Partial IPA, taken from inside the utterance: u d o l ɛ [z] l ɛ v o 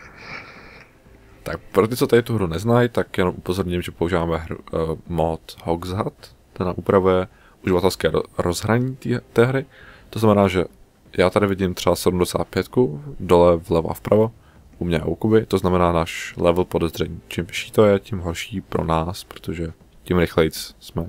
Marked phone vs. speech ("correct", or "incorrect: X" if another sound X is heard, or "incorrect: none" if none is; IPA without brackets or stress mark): incorrect: v